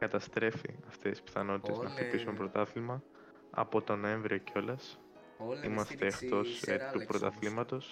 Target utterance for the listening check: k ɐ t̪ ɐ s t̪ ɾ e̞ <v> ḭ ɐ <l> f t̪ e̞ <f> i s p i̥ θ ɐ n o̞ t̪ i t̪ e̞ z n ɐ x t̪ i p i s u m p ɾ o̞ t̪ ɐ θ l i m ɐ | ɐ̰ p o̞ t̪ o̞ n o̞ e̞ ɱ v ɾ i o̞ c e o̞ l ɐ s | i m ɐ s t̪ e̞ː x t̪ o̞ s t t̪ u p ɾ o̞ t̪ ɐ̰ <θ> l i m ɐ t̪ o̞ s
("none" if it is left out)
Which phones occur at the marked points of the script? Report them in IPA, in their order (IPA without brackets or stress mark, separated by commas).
f, none, s, θ